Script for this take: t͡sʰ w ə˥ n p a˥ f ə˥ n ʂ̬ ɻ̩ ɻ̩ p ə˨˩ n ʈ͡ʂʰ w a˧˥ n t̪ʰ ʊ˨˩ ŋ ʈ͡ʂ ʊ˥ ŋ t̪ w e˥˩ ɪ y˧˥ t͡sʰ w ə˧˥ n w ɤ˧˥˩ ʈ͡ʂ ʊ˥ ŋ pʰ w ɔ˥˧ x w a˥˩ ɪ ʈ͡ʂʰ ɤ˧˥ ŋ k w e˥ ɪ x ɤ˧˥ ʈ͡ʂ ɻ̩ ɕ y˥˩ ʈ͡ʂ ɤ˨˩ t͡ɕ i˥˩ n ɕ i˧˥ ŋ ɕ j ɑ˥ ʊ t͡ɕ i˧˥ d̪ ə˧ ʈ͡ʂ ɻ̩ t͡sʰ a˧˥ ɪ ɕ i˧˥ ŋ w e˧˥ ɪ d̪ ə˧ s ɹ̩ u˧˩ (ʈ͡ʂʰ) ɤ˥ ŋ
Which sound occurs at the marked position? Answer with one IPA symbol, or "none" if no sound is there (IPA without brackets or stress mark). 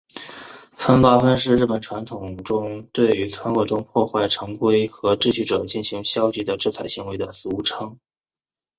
ʈ͡ʂʰ